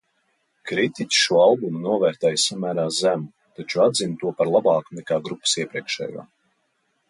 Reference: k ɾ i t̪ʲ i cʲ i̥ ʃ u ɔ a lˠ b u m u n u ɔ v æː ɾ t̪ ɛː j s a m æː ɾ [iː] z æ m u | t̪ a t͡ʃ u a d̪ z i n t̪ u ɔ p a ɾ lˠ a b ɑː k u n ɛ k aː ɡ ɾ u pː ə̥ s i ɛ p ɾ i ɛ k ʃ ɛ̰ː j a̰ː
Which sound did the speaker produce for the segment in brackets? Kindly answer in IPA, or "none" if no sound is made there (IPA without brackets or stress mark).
aː